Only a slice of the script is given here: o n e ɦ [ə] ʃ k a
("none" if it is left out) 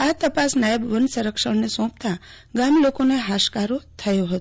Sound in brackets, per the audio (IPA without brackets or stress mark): a